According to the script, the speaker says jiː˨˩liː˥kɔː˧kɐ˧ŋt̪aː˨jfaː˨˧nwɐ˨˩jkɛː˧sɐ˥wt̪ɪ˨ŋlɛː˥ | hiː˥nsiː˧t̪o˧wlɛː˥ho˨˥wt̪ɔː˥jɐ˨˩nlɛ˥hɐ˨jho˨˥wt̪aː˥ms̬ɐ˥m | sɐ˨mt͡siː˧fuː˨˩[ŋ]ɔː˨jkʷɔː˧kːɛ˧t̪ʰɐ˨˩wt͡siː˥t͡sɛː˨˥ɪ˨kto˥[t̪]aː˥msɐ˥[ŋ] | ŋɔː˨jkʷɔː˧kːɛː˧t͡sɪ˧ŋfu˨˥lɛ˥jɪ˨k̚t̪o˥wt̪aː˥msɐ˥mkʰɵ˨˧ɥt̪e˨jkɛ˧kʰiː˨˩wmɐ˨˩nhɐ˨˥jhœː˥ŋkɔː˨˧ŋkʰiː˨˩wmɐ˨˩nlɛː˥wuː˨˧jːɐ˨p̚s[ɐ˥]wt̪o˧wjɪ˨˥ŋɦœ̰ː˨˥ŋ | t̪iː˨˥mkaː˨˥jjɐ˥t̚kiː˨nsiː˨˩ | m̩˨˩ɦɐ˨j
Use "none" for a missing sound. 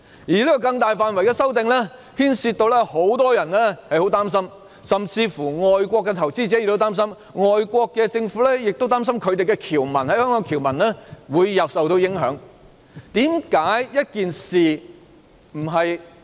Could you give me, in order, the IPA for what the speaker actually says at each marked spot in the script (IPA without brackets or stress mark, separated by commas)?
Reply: ŋ, t̪, m, ɐ˨